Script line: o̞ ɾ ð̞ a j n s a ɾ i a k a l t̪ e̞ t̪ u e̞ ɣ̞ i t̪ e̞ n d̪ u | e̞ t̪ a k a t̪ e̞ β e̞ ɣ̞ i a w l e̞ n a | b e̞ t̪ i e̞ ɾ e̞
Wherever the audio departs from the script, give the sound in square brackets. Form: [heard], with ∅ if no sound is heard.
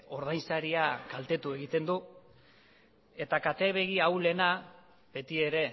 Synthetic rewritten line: o̞ ɾ ð̞ a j n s a ɾ i a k a l t̪ e̞ t̪ u e̞ ɣ̞ i t̪ e̞ n d̪ u | e̞ t̪ a k a t̪ e̞ β e̞ ɣ̞ i a w l e̞ n a | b e̞ t̪ i e̞ ɾ e̞

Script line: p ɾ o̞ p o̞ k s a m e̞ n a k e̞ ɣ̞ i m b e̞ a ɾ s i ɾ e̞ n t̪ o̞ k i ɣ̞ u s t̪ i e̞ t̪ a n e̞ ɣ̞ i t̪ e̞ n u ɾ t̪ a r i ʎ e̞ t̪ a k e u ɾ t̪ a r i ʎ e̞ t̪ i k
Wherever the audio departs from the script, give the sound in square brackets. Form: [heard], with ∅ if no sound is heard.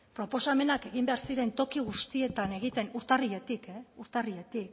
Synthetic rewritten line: p ɾ o̞ p o̞ [∅] s a m e̞ n a k e̞ ɣ̞ i m b e̞ a ɾ s i ɾ e̞ n t̪ o̞ k i ɣ̞ u s t̪ i e̞ t̪ a n e̞ ɣ̞ i t̪ e̞ n u ɾ t̪ a r i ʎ e̞ t̪ [i] k e u ɾ t̪ a r i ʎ e̞ t̪ i k

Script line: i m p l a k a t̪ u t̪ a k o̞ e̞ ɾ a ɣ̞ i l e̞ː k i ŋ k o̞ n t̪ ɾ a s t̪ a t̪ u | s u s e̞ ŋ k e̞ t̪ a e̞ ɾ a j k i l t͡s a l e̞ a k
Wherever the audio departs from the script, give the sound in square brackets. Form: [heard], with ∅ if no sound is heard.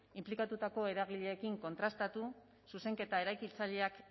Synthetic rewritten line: i m p l [i] k a t̪ u t̪ a k o̞ e̞ ɾ a ɣ̞ i [ʎ] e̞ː k i ŋ k o̞ n t̪ ɾ a s t̪ a t̪ u | s u s e̞ ŋ k e̞ t̪ a e̞ ɾ a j k i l t͡s a [ʎ] e̞ a k

